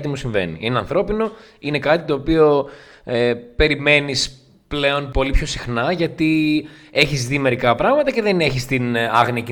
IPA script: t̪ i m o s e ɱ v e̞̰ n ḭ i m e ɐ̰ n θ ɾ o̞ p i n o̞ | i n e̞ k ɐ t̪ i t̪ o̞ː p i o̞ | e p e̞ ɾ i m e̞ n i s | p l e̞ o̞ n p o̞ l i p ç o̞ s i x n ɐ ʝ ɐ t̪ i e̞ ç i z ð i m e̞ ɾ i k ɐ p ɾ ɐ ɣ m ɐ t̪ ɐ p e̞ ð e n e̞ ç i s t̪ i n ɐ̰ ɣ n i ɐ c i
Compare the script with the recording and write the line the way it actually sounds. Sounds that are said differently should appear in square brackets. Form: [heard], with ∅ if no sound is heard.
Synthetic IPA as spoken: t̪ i m [u] s [i] ɱ v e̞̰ n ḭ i [n] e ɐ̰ n θ ɾ o̞ p i n o̞ | i n e̞ k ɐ t̪ i t̪ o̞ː p i o̞ | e p e̞ ɾ i m e̞ n i s | p l e̞ o̞ n p o̞ l i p ç o̞ s i x n ɐ ʝ ɐ t̪ i e̞ ç i z ð i m e̞ ɾ i k ɐ p ɾ ɐ ɣ m ɐ t̪ ɐ [c] e̞ ð e n e̞ ç i s t̪ i n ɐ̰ ɣ n i ɐ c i